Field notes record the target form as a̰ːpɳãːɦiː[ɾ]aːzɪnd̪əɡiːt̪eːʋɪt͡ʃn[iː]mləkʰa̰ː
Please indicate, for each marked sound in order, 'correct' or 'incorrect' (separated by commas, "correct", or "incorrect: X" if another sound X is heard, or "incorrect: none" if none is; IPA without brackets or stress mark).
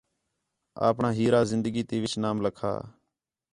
correct, incorrect: aː